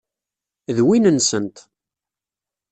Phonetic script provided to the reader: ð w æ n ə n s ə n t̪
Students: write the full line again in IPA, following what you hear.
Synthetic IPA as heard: ð w i n ə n s ə n t̪